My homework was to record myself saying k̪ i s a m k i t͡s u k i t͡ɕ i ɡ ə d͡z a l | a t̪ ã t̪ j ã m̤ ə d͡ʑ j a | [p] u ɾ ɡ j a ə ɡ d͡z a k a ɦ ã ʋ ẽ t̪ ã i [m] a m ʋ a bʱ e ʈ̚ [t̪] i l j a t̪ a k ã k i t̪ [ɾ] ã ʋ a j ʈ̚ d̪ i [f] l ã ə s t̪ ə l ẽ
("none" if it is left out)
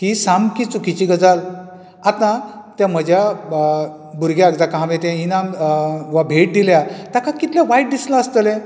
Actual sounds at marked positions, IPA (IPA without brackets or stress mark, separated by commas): b, n, d̪, l, s